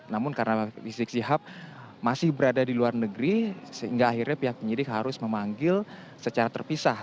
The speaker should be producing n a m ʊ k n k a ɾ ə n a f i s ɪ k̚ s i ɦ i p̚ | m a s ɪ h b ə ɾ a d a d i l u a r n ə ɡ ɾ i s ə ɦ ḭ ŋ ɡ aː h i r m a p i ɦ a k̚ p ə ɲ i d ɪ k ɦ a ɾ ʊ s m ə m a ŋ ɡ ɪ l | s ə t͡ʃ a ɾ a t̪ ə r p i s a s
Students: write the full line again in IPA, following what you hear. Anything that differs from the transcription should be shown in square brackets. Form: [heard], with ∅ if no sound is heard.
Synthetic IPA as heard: n a m ʊ [∅] n k a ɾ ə n a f i s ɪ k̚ s i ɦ [a] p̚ | m a s ɪ h b ə ɾ a d a d i l u a r n ə ɡ ɾ i s ə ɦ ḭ ŋ ɡ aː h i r [ɲ] a p i ɦ a k̚ p ə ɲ i d ɪ k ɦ a ɾ ʊ s m ə m a ŋ ɡ ɪ l | s ə t͡ʃ a ɾ a t̪ ə r p i s a [h]